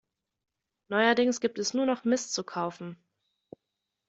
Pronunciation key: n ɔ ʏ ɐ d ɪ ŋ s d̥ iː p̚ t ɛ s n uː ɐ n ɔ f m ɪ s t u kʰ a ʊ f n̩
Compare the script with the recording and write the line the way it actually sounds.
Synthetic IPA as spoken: n ɔ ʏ ɐ d ɪ ŋ s ɡ̥ iː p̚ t ɛ s n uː ɐ n ɔ χ m ɪ s t͡s u kʰ a ʊ f n̩